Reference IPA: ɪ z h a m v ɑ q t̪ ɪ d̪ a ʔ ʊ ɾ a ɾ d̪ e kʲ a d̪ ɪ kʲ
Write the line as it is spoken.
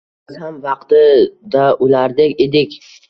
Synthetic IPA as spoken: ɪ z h a m v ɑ q t̪ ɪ d̪ a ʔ ʊ l a ɾ d̪ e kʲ e d̪ ɪ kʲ

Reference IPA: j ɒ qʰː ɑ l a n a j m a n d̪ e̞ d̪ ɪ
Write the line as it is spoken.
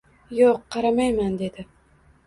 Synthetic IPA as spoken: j o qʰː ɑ ɾ a m a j m a n d̪ e̞ d̪ ɪ

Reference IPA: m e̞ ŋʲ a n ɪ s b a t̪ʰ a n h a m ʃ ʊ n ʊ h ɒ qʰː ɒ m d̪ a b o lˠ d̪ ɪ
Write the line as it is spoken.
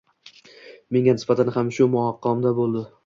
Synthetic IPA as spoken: m e̞ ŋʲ a n ɪ s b a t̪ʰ a n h a m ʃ ʊ m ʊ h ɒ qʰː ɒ m d̪ a b o lˠ d̪ ɪ

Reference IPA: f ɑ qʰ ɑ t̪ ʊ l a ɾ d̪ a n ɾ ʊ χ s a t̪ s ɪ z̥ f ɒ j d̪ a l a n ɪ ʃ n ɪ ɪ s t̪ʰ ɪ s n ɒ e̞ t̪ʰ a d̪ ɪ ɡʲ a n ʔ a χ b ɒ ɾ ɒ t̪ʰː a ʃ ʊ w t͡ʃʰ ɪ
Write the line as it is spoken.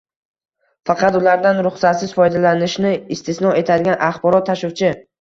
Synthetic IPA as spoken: f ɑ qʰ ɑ t̪ ʊ l a ɾ d̪ a n ɾ ʊ χ s a t̪ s ɪ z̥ f ɒ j d̪ a l a n ɪ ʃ n ɪ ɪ s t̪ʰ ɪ s n ɒ e̞ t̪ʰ a d̪ ɪ ɡʲ a n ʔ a χ b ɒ ɾ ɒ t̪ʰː a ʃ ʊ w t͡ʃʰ ɪ

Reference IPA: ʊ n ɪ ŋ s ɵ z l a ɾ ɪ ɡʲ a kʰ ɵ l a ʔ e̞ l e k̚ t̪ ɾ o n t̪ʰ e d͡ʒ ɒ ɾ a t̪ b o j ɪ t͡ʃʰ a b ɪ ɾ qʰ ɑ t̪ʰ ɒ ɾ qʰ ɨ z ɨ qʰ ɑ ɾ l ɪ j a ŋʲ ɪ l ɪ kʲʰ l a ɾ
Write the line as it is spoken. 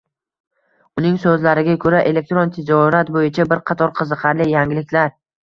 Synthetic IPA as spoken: ʊ n ɪ ŋ s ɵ z l a ɾ ɪ ɡʲ a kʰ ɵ ɾ a ʔ e̞ l e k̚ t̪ ɾ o n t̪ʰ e d͡ʒ ɒ ɾ a t̪ b o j ɪ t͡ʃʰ a b ɪ ɾ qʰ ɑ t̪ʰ ɒ ɾ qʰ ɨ z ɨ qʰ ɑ ɾ l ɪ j a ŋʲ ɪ l ɪ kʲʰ l a ɾ

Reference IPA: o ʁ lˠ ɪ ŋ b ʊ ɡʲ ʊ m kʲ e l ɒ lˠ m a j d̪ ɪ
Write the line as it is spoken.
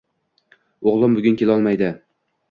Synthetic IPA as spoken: o ʁ lˠ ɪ m b ʊ ɡʲ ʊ n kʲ e l ɒ lˠ m a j d̪ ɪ

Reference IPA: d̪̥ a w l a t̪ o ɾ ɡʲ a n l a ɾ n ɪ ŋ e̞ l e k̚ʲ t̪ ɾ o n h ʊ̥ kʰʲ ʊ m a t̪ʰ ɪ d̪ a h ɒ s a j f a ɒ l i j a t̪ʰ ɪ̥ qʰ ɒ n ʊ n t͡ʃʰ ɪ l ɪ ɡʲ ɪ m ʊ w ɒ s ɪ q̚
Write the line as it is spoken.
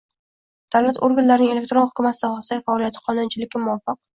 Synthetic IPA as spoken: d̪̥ a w l a t̪ o ɾ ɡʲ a n l a ɾ n ɪ ŋ e̞ l e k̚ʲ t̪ ɾ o n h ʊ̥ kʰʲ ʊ m a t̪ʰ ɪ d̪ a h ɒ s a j f a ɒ l i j a t̪ʰ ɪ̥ qʰ ɒ n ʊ n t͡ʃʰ ɪ l ɪ ɡʲ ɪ m ʊ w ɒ f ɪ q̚

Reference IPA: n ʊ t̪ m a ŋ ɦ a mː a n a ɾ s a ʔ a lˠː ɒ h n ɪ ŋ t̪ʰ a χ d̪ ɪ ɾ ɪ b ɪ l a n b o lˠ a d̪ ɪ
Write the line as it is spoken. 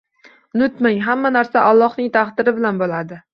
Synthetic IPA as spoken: n ʊ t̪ m a ŋ ɦ a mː a n a ɾ s a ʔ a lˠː ɒ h n ɪ ŋ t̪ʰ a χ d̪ ɪ ɾ ɪ b ɪ l a n b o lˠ a d̪ ɪ

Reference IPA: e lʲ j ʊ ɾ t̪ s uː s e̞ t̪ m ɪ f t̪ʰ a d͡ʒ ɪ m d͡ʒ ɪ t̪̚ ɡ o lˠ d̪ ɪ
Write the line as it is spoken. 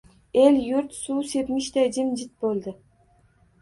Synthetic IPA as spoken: e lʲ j ʊ ɾ t̪ s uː s e̞ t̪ m ɪ ʃ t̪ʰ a d͡ʒ ɪ m d͡ʒ ɪ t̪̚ b o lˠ d̪ ɪ

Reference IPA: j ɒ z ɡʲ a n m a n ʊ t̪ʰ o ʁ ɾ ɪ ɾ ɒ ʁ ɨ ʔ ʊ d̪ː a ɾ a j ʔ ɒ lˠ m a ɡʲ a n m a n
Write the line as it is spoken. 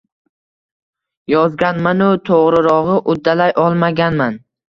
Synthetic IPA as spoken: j ɒ z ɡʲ a n m a n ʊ t̪ʰ o ʁ ɾ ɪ ɾ ɒ ʁ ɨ ʔ ʊ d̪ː a l a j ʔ ɒ lˠ m a ɡʲ a n m a n

